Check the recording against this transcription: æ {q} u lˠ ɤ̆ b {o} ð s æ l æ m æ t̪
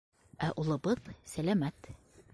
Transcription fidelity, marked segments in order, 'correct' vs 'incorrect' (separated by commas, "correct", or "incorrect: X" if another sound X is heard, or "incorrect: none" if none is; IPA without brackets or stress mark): incorrect: ʔ, incorrect: ɤ